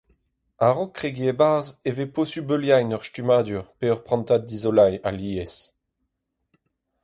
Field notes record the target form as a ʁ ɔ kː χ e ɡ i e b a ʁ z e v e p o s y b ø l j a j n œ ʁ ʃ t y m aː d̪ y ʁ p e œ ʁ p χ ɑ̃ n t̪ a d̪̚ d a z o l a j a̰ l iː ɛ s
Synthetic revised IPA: a ʁ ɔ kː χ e ɡ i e b a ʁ z e v e p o s y b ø l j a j n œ ʁ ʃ t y m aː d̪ y ʁ p e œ ʁ p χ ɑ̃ n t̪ a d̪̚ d i z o l a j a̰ l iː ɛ s

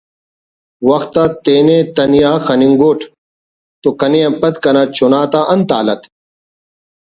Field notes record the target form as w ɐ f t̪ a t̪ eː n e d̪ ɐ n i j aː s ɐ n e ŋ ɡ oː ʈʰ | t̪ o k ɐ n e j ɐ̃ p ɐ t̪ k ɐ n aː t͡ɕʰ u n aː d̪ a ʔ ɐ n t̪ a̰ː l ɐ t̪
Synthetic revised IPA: w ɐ x t̪ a t̪ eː n e t̪ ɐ n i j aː x ɐ n i ŋ ɡ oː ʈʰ | t̪ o k ɐ n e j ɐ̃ p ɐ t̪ k ɐ n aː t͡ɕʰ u n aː t̪ a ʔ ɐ n t̪ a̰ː l ɐ t̪

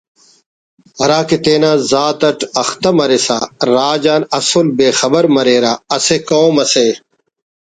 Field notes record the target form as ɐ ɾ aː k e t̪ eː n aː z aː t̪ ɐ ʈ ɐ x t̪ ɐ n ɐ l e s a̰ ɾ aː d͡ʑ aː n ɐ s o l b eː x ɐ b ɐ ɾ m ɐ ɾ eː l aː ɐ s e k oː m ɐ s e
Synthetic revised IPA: ɐ ɾ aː k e t̪ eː n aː z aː t̪ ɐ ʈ ɐ x t̪ ɐ m ɐ ɾ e s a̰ ɾ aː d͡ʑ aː n ɐ s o l b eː x ɐ b ɐ ɾ m ɐ ɾ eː ɾ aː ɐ s e k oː m ɐ s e

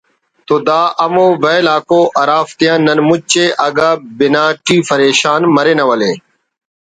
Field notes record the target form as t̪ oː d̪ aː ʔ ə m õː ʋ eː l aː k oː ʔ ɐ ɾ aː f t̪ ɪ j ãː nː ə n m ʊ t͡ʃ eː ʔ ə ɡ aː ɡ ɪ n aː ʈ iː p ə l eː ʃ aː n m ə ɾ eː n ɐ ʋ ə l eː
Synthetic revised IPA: t̪ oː d̪ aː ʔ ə m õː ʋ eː l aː k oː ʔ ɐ ɾ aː f t̪ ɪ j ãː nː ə n m ʊ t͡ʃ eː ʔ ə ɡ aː b ɪ n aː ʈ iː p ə ɾ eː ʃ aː n m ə ɾ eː n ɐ ʋ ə l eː

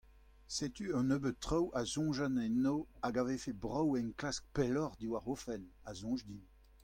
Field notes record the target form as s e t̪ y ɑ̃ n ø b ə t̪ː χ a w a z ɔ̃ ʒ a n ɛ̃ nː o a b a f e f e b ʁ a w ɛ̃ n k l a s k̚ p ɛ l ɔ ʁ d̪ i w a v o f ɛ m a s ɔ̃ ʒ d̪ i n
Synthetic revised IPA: s e t̪ y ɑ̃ n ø b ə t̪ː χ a w a z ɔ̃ ʒ a n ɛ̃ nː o a ɡ a v e f e b ʁ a w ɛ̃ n k l a s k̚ p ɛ l ɔ ʁ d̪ i w a ʁ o f ɛ n a z ɔ̃ ʒ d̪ i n

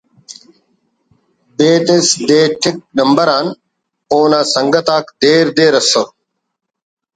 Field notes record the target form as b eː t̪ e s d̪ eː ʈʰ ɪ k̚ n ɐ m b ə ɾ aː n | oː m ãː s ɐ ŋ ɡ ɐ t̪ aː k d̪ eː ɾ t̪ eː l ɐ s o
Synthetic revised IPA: b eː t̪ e s d̪ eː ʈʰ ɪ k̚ n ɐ m b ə ɾ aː n | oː n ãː s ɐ ŋ ɡ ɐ t̪ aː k d̪ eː ɾ d̪ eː ɾ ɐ s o

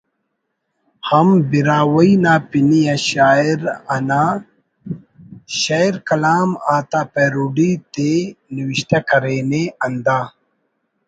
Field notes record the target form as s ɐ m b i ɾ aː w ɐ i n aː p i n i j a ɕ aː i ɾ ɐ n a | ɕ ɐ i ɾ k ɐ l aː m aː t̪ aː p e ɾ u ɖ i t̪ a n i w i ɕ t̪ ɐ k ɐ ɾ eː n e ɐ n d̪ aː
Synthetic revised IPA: h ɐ m b i ɾ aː w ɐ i n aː p i n i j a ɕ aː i ɾ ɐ n a | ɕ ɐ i ɾ k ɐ l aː m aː t̪ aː p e ɾ u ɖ i t̪ e n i w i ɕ t̪ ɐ k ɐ ɾ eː n e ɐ n d̪ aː

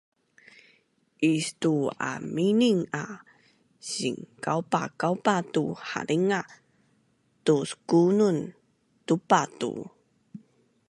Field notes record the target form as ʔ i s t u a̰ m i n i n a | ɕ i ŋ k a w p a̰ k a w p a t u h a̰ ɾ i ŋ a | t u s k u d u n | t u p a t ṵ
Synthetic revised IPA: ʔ i s t u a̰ m i n i ŋ a | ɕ i ŋ k a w p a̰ k a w p a t u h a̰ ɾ i ŋ a | t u s k u n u n | t u p a t ṵ

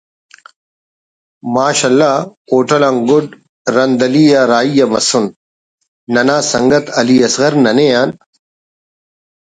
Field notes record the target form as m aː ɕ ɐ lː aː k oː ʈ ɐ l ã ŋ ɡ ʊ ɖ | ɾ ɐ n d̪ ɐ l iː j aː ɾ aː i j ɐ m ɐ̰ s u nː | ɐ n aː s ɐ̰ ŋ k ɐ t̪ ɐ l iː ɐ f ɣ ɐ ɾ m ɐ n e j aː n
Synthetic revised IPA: m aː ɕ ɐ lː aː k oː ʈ ɐ l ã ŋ ɡ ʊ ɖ | ɾ ɐ n d̪ ɐ l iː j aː ɾ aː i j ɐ m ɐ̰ s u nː | ɐ n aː s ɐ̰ ŋ ɡ ɐ t̪ ɐ l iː ɐ s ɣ ɐ ɾ n ɐ n e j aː n

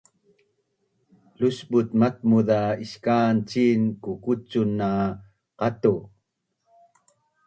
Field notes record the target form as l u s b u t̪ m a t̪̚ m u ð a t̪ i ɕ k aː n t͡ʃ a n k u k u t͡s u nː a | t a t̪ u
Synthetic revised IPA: l u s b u t̪ m a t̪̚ m u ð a i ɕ k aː n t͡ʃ i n k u k u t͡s u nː a | q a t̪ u

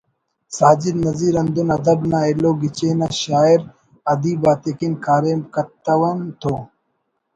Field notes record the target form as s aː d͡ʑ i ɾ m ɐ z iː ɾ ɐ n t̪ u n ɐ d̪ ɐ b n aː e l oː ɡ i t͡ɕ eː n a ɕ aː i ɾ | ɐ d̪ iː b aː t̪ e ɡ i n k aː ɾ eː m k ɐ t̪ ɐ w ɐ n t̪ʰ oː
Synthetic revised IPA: s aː d͡ʑ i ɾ n ɐ z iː ɾ ɐ n d̪ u n ɐ d̪ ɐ b n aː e l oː ɡ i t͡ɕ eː n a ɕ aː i ɾ | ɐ d̪ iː b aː t̪ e k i n k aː ɾ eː m k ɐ t̪ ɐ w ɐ n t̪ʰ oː

